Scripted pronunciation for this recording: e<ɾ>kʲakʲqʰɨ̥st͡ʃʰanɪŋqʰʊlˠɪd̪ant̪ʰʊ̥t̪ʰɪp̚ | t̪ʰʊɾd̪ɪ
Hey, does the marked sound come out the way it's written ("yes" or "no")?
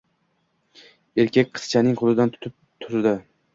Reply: yes